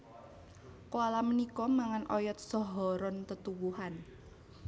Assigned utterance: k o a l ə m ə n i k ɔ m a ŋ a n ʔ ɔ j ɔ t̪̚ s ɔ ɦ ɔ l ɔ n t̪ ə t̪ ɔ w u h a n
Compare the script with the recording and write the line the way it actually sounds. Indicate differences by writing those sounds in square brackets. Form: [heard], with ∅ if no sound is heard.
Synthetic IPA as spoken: k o a l [a] m ə n i k ɔ m a ŋ a n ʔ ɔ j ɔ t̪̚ s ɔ ɦ ɔ [ɾ] ɔ n t̪ ə t̪ [u] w u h a n